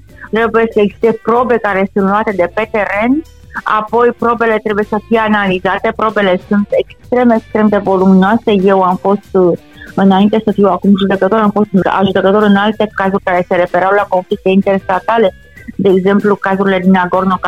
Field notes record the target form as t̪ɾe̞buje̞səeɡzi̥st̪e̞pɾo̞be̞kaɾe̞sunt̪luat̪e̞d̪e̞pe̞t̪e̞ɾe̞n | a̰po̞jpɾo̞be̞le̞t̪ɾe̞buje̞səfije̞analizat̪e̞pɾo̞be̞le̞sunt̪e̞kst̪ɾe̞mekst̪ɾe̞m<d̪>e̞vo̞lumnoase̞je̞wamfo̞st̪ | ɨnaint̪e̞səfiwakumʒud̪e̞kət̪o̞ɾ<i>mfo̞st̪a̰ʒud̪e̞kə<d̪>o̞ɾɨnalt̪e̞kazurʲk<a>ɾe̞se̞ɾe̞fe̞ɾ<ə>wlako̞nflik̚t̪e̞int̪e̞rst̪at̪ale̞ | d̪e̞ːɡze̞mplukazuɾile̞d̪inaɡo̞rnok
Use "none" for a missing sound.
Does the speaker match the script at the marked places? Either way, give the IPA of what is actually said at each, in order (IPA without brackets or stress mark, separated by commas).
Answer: d̪, a, t̪, a, a